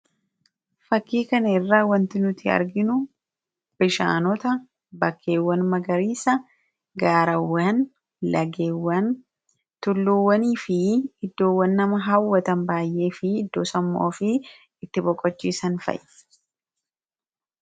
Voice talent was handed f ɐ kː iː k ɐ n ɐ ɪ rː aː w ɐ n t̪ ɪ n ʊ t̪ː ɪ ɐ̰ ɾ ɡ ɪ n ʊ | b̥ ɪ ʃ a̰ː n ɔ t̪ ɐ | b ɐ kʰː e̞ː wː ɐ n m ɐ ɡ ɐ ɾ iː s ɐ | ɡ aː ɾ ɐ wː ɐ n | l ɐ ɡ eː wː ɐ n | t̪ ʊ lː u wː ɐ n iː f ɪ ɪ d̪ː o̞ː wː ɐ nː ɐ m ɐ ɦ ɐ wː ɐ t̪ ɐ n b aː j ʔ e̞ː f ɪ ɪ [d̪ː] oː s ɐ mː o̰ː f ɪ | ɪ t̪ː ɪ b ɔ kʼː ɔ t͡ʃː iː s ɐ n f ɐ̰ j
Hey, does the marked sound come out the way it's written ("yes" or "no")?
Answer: yes